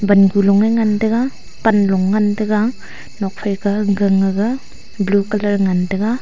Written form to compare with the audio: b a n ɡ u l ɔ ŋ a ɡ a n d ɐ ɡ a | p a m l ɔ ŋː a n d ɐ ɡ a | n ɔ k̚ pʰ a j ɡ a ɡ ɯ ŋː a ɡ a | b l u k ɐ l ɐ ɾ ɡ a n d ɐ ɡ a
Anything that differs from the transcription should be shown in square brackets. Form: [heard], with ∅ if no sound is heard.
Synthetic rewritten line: b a n ɡ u l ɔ ŋ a [ŋ] a n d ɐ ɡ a | p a [n] l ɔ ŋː a n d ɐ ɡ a | n ɔ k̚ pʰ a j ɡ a ɡ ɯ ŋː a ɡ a | b l u k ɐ l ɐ ɾ [ŋ] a n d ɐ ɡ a

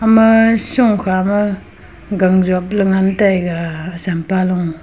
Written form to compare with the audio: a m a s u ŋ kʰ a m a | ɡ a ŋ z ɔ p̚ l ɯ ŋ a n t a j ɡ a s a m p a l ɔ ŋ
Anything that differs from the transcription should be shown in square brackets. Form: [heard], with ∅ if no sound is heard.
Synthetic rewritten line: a m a s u ŋ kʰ a m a | ɡ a ŋ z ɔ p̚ l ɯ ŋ a n t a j ɡ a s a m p a l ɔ ŋ

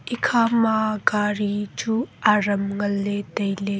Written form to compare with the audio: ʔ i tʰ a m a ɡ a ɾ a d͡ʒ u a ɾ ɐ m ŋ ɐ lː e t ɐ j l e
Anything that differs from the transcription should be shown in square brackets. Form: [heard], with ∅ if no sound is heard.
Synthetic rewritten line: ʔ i [kʰ] a m a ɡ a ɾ [i] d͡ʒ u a ɾ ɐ m ŋ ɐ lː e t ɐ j l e

